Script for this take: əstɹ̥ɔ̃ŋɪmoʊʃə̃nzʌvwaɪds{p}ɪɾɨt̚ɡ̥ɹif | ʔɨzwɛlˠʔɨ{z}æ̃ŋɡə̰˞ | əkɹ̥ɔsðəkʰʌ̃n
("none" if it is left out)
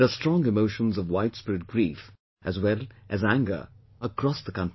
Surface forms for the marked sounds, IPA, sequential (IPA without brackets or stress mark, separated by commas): p, z